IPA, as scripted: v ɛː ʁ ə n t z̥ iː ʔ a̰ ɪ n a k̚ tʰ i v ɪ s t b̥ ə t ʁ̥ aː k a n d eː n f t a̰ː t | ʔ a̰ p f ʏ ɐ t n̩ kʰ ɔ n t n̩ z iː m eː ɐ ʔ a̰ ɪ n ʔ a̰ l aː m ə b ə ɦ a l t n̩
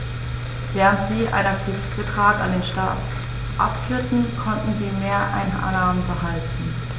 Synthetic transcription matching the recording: v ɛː ʁ ə n t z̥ iː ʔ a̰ ɪ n a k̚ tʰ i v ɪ s t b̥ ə t ʁ̥ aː k a n d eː n ʃ t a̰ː t | ʔ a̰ p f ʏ ɐ t n̩ kʰ ɔ n t n̩ z iː m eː ɐ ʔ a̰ ɪ n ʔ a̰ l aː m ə b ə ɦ a l t n̩

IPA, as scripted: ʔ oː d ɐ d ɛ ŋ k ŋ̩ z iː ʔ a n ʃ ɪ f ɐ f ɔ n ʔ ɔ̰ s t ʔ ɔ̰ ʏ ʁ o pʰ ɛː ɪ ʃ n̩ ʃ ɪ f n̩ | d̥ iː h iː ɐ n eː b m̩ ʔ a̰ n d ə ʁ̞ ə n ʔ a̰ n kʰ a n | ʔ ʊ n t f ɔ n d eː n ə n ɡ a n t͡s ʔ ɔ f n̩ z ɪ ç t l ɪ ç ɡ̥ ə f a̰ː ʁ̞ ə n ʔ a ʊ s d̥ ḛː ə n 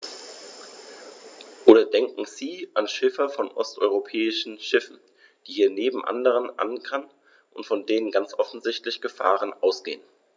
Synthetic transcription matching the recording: ʔ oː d ɐ d ɛ ŋ k ŋ̩ z iː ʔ a n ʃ ɪ f ɐ f ɔ n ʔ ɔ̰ s t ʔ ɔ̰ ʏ ʁ o pʰ ɛː ɪ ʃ n̩ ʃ ɪ f n̩ | d̥ iː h iː ɐ n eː b m̩ ʔ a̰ n d ə ʁ̞ ə n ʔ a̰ n kʰ a n | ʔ ʊ n t f ɔ n d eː n ə n ɡ a n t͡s ʔ ɔ f n̩ z ɪ ç t l ɪ ç ɡ̥ ə f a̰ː ʁ̞ ə n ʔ a ʊ s ɡ̥ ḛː ə n

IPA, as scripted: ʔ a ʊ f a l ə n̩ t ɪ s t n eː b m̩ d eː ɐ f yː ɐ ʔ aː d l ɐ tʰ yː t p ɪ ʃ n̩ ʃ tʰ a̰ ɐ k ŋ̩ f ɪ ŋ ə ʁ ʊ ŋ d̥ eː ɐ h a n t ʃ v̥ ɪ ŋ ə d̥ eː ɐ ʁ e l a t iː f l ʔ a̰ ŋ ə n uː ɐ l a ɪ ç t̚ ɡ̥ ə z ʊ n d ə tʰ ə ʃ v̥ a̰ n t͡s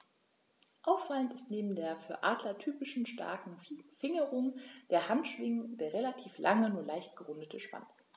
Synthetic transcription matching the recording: ʔ a ʊ f a l ə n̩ t ɪ s t n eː b m̩ d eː ɐ f yː ɐ ʔ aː d l ɐ tʰ yː p ɪ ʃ n̩ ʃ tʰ a̰ ɐ k ŋ̩ f ɪ ŋ ə ʁ ʊ ŋ d̥ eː ɐ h a n t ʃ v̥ ɪ ŋ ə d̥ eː ɐ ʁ e l a tʰ iː f l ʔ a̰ ŋ ə n uː ɐ l a ɪ ç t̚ ɡ̥ ə ʁ ʊ n d ə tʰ ə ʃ v̥ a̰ n t͡s

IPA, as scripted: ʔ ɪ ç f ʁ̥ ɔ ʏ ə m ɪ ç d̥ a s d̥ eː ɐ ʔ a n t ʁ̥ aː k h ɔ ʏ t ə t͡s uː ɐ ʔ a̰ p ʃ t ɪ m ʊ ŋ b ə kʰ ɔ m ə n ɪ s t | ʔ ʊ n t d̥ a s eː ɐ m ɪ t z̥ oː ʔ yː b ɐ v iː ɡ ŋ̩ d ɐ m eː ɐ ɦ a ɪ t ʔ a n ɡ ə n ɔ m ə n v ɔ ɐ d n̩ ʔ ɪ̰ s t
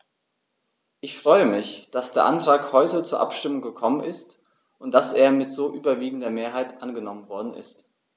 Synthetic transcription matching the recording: ʔ ɪ ç f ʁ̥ ɔ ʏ ə m ɪ ç d̥ a s d̥ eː ɐ ʔ a n t ʁ̥ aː k h ɔ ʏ t ə t͡s uː ɐ ʔ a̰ p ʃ t ɪ m ʊ ŋ ɡ ə kʰ ɔ m ə n ɪ s t | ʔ ʊ n t d̥ a s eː ɐ m ɪ t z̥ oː ʔ yː b ɐ v iː ɡ ŋ̩ d ɐ m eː ɐ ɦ a ɪ t ʔ a n ɡ ə n ɔ m ə n v ɔ ɐ d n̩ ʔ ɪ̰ s t

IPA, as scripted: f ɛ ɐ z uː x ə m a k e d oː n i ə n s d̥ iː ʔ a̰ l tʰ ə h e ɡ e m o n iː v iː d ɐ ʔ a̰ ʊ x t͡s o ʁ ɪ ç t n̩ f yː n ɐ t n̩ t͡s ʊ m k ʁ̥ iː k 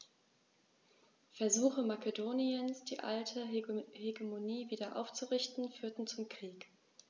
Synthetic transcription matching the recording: f ɛ ɐ z uː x ə m a k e d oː n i ə n s d̥ iː ʔ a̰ l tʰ ə h e ɡ e m o n iː v iː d ɐ ʔ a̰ ʊ f t͡s u ʁ ɪ ç t n̩ f yː ɐ t n̩ t͡s ʊ m k ʁ̥ iː k

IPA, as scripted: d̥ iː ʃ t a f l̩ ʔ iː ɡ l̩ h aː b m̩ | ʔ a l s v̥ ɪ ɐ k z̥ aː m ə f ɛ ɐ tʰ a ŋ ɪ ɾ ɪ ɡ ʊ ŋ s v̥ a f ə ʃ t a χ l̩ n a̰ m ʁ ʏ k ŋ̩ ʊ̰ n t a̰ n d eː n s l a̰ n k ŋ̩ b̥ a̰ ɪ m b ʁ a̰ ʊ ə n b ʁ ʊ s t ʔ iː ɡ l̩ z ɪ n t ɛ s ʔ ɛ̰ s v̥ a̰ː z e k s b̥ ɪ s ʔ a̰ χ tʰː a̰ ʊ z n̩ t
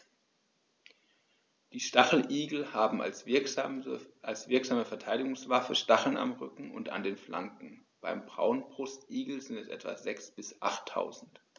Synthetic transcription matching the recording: d̥ iː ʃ t a χ l̩ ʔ iː ɡ l̩ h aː b m̩ | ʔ a l s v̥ ɪ ɐ k z̥ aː m ə f ɛ ɐ tʰ a ɪ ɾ ɪ ɡ ʊ ŋ s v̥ a f ə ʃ t a χ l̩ n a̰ m ʁ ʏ k ŋ̩ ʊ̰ n t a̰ n d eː n f l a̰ ŋ k ŋ̩ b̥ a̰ ɪ m b ʁ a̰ ʊ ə n b ʁ ʊ s t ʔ iː ɡ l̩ z ɪ n t ɛ s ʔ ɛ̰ t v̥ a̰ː z ɛ k s b̥ ɪ s ʔ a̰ χ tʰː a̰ ʊ z n̩ t

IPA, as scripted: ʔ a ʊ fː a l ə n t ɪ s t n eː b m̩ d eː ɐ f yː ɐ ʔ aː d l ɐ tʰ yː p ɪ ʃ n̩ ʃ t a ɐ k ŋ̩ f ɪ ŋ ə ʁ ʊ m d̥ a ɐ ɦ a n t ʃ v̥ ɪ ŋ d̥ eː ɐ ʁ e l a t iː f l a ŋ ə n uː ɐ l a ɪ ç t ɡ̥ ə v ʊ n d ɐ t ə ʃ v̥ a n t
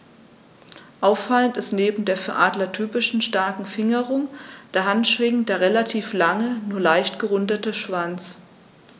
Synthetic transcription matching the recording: ʔ a ʊ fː a l ə n t ɪ s t n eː b m̩ d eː ɐ f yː ɐ ʔ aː d l ɐ tʰ yː p ɪ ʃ n̩ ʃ t a ɐ k ŋ̩ f ɪ ŋ ə ʁ ʊ ŋ d̥ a ɐ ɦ a n t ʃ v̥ ɪ ŋ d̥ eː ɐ ʁ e l a tʰ iː f l a ŋ ə n uː ɐ l a ɪ ç t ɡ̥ ə ʁ ʊ n d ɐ t ə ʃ v̥ a n t͡s

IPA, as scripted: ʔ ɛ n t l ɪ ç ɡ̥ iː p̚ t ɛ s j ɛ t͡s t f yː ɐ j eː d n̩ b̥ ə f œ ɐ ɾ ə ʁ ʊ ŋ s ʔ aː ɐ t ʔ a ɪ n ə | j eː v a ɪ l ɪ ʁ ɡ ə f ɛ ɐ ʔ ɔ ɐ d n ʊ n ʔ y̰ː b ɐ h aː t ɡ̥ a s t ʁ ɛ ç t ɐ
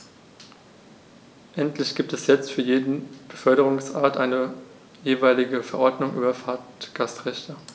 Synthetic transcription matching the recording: ʔ ɛ n t l ɪ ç ɡ̥ iː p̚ t ɛ s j ɛ t͡s t f yː ɐ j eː d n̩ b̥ ə f œ ɐ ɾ ə ʁ ʊ ŋ s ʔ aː ɐ t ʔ a ɪ n ə | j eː v a ɪ l ɪ ɡ ə f ɛ ɐ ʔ ɔ ɐ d n ʊ ŋ ʔ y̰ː b ɐ f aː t ɡ̥ a s t ʁ ɛ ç t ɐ

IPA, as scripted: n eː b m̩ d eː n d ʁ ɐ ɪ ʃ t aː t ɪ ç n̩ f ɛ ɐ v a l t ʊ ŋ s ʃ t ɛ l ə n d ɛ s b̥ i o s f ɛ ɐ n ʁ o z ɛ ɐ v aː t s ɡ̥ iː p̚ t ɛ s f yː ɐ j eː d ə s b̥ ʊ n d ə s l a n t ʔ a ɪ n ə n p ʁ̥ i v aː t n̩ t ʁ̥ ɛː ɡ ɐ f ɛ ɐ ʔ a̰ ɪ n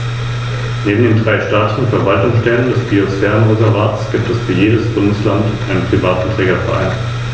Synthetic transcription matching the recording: n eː b m̩ d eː n d ʁ a ɪ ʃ t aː t ɪ ç n̩ f ɛ ɐ v a l t ʊ ŋ s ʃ t ɛ l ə n d ɛ s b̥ i o s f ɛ ɐ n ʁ o z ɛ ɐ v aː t s ɡ̥ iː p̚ t ɛ s f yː ɐ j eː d ə s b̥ ʊ n d ə s l a n t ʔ a ɪ n ə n p ʁ̥ i v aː t n̩ t ʁ̥ ɛː ɡ ɐ f ɛ ɐ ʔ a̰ ɪ n

